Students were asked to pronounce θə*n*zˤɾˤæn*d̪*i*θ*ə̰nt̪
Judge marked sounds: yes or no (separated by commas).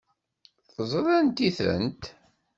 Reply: no, no, yes